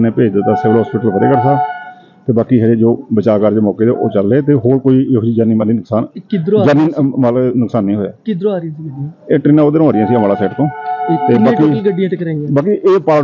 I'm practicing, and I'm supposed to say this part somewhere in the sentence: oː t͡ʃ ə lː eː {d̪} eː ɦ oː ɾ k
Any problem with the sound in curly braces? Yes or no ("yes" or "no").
yes